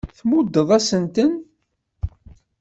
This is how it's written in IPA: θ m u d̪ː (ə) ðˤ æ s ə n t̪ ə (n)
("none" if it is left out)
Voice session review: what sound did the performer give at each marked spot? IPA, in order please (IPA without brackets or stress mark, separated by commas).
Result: ə, n